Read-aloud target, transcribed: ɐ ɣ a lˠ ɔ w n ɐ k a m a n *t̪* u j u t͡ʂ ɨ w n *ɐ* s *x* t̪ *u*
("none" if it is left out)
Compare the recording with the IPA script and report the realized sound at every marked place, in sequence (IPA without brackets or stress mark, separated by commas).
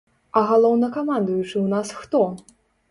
d̪, a, x, ɔ